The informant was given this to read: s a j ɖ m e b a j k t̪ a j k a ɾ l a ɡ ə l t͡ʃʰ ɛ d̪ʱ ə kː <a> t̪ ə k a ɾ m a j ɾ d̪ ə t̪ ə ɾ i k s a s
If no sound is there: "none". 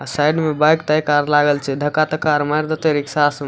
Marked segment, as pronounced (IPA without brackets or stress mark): a